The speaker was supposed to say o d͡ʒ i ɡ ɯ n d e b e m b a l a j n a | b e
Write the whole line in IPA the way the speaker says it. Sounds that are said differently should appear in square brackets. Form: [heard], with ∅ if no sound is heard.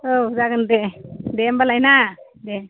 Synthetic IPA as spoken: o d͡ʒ [a] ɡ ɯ n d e [d] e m b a l a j n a | [d] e